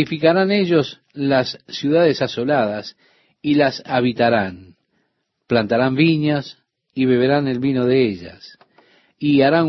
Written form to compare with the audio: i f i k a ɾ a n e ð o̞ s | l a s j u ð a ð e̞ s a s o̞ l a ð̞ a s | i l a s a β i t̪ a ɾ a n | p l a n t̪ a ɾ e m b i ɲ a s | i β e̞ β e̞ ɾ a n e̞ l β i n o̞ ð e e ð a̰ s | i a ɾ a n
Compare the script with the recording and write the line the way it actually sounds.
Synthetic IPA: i f i k a ɾ a n e ʒ o̞ s | l a sː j u ð a ð e̞ s a s o̞ l a ð̞ a s | i l a s a β i t̪ a ɾ a n | p l a n t̪ a ɾ a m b i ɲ a s | i β e̞ β e̞ ɾ a n e̞ l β i n o̞ ð e e ʒ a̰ s | i a ɾ a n